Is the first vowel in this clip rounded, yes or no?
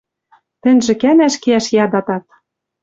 no